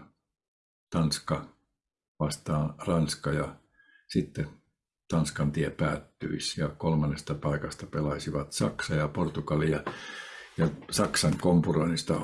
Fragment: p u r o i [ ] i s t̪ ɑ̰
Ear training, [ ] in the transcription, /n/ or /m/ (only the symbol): n